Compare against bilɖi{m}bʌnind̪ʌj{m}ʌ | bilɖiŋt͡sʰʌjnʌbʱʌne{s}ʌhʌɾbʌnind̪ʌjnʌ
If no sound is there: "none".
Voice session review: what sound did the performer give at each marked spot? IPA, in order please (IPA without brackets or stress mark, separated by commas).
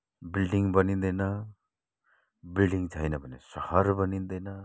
ŋ, n, s